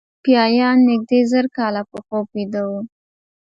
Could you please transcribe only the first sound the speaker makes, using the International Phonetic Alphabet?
p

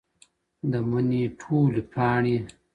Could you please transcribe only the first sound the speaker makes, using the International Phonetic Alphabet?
d̪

